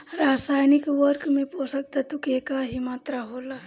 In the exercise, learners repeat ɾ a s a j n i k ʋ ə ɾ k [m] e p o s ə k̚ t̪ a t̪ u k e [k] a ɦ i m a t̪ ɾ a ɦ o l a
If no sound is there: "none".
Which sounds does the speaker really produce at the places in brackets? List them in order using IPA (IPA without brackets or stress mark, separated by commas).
m, k